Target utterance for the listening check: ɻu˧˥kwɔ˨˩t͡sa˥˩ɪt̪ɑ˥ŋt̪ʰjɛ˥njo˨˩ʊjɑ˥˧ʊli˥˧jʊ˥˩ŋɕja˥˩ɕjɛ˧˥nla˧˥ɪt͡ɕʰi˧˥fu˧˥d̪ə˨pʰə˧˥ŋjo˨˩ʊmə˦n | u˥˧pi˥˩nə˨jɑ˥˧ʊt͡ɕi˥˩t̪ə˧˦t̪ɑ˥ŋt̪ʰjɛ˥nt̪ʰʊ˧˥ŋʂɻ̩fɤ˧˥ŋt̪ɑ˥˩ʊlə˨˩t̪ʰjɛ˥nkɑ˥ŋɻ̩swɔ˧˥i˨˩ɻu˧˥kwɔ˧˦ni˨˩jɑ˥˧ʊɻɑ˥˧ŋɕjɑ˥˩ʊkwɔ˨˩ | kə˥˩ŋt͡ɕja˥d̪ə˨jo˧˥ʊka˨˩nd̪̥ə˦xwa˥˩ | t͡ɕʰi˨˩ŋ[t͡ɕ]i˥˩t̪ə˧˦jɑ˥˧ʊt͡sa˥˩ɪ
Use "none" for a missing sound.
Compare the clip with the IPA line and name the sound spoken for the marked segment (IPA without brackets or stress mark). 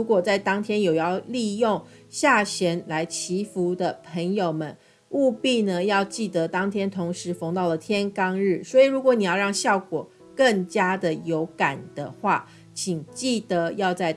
t͡ɕ